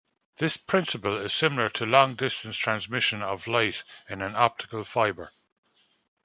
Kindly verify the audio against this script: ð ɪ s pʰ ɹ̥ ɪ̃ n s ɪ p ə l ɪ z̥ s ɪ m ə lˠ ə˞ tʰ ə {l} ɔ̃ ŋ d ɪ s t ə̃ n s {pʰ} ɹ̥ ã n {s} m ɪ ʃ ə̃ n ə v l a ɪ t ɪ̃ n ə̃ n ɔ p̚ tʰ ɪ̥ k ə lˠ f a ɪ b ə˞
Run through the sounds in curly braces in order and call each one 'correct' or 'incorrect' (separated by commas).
correct, incorrect, incorrect